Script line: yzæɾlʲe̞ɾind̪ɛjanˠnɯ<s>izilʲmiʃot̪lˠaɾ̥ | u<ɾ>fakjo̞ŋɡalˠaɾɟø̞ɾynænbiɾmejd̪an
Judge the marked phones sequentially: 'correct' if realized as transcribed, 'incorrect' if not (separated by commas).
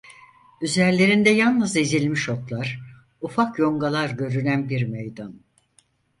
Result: incorrect, incorrect